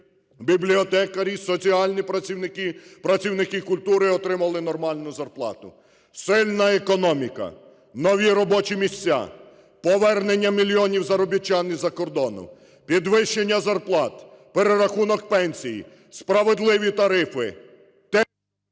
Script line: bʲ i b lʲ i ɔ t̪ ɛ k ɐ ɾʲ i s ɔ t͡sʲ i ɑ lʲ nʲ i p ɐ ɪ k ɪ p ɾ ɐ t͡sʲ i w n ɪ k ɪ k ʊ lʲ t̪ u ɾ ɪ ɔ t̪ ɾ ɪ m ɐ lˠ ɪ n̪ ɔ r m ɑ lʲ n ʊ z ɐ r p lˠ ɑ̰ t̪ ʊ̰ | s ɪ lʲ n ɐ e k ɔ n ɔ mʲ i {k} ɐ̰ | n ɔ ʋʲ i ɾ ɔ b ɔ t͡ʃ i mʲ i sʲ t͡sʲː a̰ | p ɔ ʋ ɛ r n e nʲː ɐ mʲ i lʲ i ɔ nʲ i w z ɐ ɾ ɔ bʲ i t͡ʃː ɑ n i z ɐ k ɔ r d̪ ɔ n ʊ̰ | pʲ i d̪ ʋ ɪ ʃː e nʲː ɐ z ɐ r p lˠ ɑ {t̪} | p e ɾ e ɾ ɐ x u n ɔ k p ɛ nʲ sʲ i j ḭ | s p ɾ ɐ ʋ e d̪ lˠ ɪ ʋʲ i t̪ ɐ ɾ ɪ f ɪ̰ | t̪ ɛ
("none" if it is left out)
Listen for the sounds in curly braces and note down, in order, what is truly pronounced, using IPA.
k, t̪

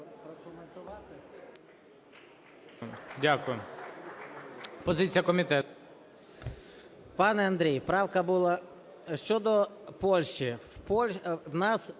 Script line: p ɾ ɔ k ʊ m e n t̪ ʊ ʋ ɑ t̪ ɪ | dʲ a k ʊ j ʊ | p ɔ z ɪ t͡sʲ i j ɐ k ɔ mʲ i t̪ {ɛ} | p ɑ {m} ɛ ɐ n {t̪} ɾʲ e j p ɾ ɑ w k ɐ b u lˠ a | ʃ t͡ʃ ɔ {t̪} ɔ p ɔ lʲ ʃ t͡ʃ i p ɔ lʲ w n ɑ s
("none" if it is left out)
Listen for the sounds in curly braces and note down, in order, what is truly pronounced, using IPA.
ɛ, n, d̪, d̪

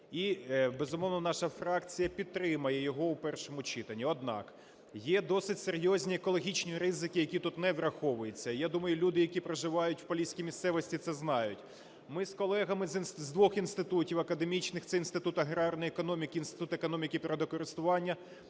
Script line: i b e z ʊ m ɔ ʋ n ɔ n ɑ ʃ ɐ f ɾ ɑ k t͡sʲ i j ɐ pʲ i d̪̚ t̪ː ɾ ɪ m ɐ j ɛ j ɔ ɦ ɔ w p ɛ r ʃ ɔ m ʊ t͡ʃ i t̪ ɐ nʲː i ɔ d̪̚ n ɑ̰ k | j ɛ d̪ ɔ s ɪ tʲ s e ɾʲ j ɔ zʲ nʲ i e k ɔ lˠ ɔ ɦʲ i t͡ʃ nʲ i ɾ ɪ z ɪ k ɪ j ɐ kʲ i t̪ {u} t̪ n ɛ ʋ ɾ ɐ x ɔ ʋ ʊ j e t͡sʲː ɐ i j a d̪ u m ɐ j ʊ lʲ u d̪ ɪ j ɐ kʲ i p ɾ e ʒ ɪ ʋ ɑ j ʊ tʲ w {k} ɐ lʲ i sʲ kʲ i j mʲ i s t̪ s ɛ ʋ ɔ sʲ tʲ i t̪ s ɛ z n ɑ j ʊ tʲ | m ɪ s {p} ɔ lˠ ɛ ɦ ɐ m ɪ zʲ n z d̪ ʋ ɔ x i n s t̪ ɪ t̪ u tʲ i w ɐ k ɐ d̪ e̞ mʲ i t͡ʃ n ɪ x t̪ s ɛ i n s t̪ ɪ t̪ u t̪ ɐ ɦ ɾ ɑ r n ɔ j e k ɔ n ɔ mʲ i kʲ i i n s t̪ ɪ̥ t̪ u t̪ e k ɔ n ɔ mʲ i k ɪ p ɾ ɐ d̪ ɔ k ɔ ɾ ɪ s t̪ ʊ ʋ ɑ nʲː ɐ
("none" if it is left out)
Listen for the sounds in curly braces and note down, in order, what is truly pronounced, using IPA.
u, p, k

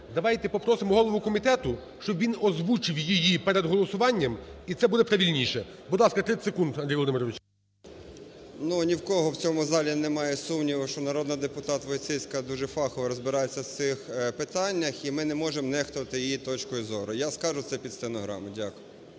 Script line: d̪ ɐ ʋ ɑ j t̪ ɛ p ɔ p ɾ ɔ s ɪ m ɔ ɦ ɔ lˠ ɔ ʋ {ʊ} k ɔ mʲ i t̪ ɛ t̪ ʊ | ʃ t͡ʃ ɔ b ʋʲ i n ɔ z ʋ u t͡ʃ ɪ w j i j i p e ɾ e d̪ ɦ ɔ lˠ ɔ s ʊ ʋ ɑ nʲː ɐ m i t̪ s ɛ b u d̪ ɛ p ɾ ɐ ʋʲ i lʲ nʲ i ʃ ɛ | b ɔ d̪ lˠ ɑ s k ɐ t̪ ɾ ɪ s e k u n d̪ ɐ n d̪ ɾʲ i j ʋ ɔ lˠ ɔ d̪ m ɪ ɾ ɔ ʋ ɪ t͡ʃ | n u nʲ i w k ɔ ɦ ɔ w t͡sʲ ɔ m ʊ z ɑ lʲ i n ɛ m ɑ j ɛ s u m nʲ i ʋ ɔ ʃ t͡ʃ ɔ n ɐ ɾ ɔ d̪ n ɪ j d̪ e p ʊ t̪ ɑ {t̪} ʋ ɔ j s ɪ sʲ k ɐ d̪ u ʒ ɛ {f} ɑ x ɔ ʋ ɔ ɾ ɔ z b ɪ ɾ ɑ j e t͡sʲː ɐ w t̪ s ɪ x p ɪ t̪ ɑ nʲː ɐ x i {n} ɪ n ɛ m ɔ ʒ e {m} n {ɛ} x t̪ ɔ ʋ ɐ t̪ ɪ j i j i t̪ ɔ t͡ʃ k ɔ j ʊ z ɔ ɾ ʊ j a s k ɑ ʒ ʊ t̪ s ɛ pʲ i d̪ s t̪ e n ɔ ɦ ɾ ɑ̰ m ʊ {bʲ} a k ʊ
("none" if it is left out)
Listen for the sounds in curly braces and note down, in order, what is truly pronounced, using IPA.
ʊ, t̪, f, m, m, ɛ, dʲ

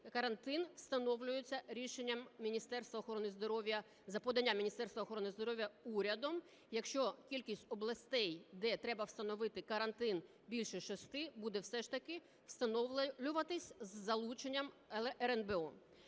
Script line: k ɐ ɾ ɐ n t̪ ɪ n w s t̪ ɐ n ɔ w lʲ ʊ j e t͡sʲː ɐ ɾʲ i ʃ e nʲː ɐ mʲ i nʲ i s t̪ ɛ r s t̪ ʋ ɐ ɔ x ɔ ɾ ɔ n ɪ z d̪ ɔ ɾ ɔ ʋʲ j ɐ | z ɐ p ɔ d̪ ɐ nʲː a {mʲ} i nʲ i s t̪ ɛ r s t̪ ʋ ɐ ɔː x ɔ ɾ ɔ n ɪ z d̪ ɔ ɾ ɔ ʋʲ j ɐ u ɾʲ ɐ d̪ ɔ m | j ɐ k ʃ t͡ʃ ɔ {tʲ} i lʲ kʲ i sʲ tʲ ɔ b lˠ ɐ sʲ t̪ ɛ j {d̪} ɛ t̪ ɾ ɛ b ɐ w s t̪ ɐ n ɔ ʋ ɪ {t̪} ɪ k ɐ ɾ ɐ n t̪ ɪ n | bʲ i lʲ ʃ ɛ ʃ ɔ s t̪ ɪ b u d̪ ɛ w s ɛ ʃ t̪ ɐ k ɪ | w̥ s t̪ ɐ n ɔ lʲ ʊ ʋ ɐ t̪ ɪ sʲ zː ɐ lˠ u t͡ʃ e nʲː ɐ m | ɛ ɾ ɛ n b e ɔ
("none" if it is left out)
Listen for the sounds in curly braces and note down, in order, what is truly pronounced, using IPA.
mʲ, kʲ, d̪, t̪

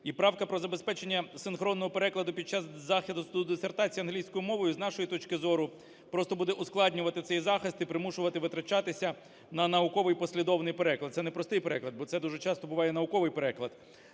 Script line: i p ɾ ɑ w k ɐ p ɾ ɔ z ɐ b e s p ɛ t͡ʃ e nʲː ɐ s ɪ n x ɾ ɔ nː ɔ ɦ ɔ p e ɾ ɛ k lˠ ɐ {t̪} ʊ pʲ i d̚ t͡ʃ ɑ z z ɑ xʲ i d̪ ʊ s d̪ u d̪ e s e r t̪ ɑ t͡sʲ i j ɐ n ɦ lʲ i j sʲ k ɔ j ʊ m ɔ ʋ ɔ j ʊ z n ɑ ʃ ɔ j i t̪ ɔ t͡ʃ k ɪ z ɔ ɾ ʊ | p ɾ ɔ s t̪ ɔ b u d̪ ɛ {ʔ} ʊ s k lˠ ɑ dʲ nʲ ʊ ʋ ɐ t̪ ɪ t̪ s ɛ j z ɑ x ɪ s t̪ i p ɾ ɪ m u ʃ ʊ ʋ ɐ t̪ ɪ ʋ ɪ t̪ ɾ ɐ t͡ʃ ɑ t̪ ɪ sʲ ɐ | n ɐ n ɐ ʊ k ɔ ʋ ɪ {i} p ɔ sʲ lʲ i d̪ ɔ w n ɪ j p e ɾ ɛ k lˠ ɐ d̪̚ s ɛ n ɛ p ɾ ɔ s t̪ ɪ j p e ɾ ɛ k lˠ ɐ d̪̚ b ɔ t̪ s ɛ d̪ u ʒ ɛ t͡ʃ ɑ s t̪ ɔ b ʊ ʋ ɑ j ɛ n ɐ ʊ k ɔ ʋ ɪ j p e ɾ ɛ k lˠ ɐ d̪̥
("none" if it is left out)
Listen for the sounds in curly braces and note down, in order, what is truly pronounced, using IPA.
d̪, ʔ, j

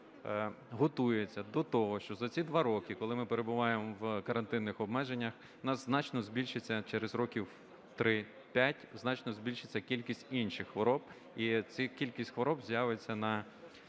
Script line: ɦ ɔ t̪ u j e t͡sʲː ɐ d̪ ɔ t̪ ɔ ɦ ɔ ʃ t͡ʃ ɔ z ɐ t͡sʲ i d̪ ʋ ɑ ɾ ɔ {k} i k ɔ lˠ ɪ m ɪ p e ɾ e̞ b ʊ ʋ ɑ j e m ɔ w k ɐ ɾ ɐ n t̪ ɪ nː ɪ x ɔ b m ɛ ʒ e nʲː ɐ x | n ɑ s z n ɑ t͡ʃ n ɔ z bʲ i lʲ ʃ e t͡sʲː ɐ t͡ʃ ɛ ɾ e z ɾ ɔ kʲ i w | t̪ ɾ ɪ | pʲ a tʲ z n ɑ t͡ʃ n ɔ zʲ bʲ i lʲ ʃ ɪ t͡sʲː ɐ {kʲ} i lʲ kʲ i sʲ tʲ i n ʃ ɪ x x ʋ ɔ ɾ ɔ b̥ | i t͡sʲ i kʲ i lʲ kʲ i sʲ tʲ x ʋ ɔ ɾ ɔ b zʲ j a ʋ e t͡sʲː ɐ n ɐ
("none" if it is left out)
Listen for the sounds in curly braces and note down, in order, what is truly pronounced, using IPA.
k, kʲ

